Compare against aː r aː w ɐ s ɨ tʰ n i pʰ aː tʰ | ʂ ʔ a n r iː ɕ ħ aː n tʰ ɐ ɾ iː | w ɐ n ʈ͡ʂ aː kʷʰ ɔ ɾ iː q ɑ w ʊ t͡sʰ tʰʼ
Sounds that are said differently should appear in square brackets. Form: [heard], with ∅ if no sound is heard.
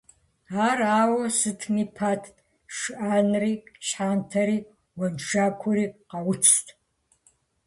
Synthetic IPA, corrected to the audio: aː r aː w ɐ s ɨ tʰ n i pʰ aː tʰ | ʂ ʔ a n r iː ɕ ħ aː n tʰ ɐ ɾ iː | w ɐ n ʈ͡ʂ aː kʷʰ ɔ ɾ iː q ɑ w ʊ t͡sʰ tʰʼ

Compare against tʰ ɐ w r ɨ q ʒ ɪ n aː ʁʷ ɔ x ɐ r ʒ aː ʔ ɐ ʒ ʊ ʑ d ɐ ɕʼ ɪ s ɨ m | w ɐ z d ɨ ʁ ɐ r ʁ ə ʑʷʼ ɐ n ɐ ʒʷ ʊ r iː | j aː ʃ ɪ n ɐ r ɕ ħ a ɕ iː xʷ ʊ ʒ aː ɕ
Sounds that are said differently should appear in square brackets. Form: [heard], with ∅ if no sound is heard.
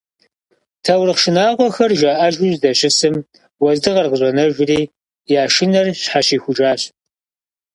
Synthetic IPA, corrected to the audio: tʰ ɐ w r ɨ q [ʃ] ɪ n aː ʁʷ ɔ x ɐ r ʒ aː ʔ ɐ ʒ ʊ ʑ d ɐ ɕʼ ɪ s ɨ m | w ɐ z d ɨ ʁ ɐ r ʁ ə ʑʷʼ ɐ n ɐ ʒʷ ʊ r iː | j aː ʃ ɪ n ɐ r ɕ ħ a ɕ iː xʷ ʊ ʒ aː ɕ

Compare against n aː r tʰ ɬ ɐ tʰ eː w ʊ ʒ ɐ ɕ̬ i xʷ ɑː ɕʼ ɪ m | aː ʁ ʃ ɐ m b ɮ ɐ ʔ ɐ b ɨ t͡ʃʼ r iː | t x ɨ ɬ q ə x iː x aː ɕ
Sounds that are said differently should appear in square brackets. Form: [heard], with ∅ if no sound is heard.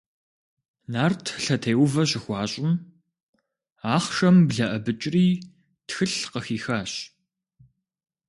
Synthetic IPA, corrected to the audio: n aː r tʰ ɬ ɐ tʰ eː w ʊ [v] ɐ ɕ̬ [ɪ] xʷ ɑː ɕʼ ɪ m | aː [χ] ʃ ɐ m b ɮ ɐ ʔ ɐ b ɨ t͡ʃʼ r iː | t x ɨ ɬ q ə x iː x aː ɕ

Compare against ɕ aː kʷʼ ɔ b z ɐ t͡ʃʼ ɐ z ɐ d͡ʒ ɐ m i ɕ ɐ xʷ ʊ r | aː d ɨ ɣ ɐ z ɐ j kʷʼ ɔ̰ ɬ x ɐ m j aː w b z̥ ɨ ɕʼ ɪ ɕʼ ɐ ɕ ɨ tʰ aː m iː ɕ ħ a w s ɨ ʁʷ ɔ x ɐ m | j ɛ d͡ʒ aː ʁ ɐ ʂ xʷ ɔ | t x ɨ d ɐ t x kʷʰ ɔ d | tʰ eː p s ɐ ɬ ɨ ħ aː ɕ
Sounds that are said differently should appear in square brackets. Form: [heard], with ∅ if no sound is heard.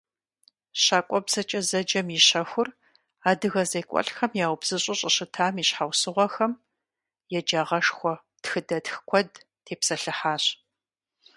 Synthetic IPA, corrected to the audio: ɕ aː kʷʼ ɔ b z ɐ t͡ʃʼ ɐ z ɐ d͡ʒ ɐ m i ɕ ɐ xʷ ʊ r | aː d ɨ ɣ ɐ z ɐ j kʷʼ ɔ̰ ɬ x ɐ m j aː w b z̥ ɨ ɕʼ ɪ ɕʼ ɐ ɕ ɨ tʰ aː m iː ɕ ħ a w s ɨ ʁʷ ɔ x ɐ m | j ɛ d͡ʒ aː ʁ ɐ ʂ xʷ ɔ | t x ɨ d ɐ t x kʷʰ ɔ d | tʰ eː p s ɐ ɬ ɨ ħ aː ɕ

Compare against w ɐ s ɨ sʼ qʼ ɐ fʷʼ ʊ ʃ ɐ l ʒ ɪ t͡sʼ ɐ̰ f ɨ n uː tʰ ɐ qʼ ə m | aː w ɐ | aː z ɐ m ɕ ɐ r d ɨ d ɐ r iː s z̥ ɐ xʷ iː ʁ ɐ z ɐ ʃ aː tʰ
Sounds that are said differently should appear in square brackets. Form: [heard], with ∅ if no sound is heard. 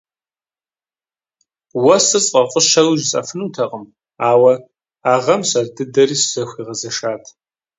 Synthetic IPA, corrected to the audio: w ɐ s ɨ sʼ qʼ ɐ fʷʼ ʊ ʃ ɐ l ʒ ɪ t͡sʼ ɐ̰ f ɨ n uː tʰ ɐ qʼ ə m | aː w ɐ | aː [ʁ] ɐ m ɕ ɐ r d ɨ d ɐ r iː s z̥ ɐ xʷ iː ʁ ɐ z ɐ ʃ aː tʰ

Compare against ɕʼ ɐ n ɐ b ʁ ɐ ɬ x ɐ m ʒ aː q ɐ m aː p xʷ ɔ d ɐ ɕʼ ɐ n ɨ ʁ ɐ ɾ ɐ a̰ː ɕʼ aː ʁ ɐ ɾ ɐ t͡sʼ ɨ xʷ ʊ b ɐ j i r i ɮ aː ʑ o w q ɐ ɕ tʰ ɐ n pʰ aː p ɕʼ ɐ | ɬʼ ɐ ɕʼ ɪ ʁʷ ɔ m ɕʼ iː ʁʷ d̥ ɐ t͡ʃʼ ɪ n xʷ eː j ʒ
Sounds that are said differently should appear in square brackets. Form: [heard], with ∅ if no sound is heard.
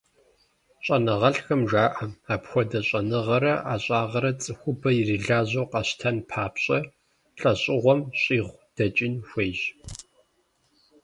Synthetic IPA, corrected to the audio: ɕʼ ɐ n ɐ [∅] ʁ ɐ ɬ x ɐ m ʒ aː [ʔ] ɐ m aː p xʷ ɔ d ɐ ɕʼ ɐ n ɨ ʁ ɐ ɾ ɐ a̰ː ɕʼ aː ʁ ɐ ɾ ɐ t͡sʼ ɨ xʷ ʊ b ɐ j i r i ɮ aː ʑ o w q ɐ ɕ tʰ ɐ n pʰ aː p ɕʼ ɐ | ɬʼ ɐ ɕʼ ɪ ʁʷ ɔ m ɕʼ iː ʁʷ d̥ ɐ t͡ʃʼ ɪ n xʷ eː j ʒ

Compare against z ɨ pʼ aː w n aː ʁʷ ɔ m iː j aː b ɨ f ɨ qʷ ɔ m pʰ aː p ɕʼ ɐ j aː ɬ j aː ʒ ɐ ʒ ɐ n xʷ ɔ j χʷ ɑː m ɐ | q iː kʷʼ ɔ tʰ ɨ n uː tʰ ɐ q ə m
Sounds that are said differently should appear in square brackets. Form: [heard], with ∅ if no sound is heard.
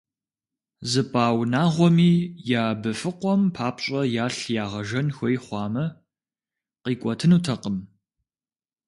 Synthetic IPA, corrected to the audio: z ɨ pʼ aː w n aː ʁʷ ɔ m iː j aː b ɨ f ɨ qʷ ɔ m pʰ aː p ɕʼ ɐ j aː ɬ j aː [ʁ] ɐ ʒ ɐ n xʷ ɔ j χʷ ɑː m ɐ | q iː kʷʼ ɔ tʰ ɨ n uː tʰ ɐ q ə m

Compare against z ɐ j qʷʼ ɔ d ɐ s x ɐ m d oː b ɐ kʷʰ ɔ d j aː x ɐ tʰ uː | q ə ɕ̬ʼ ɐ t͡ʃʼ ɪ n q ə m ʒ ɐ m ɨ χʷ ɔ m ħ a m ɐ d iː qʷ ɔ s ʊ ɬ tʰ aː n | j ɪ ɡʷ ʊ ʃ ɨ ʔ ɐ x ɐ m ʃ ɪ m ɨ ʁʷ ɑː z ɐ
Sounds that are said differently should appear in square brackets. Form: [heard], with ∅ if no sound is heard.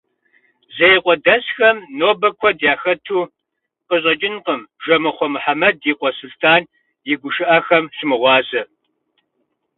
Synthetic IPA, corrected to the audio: z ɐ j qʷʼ ɔ d ɐ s x ɐ m [n] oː b ɐ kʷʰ ɔ d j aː x ɐ tʰ uː | q ə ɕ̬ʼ ɐ t͡ʃʼ ɪ n q ə m ʒ ɐ m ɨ χʷ ɔ m ħ a m ɐ d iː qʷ ɔ s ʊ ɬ tʰ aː n | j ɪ ɡʷ ʊ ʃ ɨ ʔ ɐ x ɐ m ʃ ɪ m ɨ ʁʷ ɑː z ɐ

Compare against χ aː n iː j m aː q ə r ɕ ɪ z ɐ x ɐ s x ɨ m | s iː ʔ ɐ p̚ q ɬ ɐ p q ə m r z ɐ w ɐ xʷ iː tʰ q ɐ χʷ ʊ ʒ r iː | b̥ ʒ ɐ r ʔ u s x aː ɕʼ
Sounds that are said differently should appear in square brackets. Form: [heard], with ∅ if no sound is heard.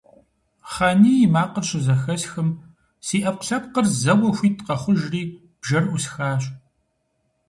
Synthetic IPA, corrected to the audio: χ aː n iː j m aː q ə r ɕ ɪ z ɐ x ɐ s x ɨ m | s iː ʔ ɐ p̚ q ɬ ɐ p q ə [∅] r z ɐ w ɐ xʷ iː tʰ q ɐ χʷ ʊ ʒ r iː | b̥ ʒ ɐ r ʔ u s x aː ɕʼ

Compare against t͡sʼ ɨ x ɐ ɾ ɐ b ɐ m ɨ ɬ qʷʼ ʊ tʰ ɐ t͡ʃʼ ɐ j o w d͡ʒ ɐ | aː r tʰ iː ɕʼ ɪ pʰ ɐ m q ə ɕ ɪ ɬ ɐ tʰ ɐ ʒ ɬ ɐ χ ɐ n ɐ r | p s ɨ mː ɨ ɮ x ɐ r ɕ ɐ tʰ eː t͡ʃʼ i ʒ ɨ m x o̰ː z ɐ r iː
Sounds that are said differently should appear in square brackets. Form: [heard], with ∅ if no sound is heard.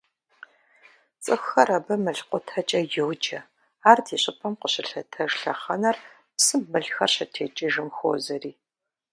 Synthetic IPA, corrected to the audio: t͡sʼ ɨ x ɐ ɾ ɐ b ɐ m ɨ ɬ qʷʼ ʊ tʰ ɐ t͡ʃʼ ɐ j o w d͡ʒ ɐ | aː r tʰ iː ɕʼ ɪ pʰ ɐ m q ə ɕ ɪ ɬ ɐ tʰ ɐ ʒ ɬ ɐ χ ɐ n ɐ r | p s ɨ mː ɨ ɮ x ɐ r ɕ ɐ tʰ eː t͡ʃʼ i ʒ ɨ m x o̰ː z ɐ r iː

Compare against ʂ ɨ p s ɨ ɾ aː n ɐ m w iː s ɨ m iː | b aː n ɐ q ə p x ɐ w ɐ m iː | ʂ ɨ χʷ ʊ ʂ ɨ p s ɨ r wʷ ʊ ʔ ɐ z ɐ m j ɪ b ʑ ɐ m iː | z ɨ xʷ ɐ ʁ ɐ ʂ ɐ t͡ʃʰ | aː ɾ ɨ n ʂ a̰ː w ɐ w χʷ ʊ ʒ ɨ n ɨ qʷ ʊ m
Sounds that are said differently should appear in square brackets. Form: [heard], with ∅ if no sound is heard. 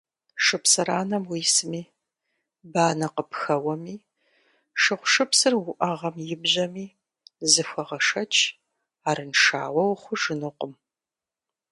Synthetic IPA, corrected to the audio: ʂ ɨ p s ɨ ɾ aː n ɐ m w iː s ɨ m iː | b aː n ɐ q ə p x ɐ w ɐ m iː | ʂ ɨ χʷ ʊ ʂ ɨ p s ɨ r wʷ ʊ ʔ ɐ [ʁ] ɐ m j ɪ b ʑ ɐ m iː | z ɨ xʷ ɐ ʁ ɐ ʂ ɐ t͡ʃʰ | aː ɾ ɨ n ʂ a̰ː w ɐ w χʷ ʊ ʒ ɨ n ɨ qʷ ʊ m

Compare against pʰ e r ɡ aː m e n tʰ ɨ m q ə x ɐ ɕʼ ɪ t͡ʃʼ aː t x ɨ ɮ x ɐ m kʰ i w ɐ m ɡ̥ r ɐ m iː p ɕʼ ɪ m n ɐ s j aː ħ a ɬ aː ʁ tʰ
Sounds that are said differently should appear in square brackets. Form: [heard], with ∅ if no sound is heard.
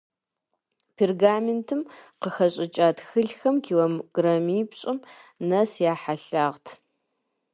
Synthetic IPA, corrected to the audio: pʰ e r ɡ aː m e n tʰ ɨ m q ə x ɐ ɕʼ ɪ t͡ʃʼ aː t x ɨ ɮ x ɐ m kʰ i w ɐ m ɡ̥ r ɐ m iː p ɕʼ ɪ m n ɐ s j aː ħ a ɬ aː ʁ tʰ

